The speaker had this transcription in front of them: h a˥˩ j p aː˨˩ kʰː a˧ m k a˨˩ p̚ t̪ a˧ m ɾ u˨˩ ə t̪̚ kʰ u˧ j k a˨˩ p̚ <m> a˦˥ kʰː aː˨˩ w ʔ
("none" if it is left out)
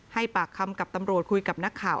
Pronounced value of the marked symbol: n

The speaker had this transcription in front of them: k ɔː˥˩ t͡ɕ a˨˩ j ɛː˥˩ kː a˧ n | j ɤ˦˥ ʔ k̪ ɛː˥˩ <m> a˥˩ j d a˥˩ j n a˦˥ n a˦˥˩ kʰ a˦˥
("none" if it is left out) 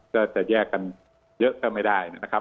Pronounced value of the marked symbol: m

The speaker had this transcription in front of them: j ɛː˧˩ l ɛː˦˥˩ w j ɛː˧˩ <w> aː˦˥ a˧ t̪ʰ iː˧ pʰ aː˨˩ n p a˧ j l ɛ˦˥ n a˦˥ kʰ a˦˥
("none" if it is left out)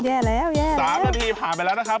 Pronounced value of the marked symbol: none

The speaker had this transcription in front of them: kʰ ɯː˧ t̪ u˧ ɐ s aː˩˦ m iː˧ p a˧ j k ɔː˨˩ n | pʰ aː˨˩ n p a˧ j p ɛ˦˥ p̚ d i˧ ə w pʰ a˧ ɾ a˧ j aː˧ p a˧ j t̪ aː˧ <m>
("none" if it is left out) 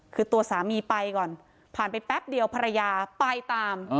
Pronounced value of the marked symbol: m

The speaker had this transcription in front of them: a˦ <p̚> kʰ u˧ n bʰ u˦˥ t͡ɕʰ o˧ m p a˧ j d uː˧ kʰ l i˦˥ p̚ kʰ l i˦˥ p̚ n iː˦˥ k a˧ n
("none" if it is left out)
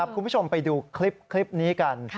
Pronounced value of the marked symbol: p̚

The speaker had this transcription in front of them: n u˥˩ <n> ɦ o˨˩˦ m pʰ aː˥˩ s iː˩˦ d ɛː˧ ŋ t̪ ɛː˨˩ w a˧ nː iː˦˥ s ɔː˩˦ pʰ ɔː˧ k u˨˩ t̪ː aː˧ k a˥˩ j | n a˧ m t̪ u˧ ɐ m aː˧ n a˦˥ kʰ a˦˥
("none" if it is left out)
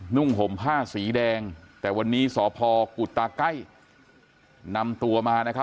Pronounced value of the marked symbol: ŋ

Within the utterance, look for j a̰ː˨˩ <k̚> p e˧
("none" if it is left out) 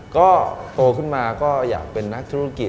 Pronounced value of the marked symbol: k̚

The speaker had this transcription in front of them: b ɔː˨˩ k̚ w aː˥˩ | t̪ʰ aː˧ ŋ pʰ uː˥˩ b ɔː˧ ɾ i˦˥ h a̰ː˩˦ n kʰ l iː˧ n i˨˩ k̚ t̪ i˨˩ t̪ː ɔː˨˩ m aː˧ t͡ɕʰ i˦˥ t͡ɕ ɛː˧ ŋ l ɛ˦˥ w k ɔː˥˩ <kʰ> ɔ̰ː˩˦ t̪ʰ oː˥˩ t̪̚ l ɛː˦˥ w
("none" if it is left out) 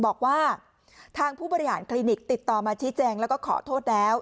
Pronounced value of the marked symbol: kʰ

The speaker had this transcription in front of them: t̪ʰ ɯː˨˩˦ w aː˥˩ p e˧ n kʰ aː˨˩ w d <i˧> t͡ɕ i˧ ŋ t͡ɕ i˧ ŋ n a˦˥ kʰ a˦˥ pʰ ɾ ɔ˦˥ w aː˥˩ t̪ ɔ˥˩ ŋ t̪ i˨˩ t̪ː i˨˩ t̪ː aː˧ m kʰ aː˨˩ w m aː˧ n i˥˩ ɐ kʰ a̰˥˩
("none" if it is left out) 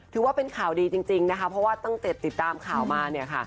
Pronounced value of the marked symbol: iː˧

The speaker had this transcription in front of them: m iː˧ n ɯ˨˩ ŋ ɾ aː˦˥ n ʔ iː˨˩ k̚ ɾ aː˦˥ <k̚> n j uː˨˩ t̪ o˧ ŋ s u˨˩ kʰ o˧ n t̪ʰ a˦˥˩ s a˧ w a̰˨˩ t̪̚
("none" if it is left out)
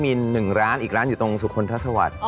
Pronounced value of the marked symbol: none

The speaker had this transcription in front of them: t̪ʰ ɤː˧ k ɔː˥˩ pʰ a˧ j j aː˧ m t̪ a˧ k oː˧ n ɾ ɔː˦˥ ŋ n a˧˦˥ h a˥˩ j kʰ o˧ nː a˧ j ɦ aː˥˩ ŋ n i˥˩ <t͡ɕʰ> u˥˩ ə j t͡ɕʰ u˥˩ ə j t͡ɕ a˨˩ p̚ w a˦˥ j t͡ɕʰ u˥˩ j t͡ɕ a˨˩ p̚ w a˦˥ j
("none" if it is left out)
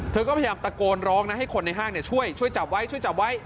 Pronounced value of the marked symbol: t͡ɕʰ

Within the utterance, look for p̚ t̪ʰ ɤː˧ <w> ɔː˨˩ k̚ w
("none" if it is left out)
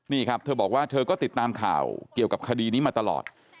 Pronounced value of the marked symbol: b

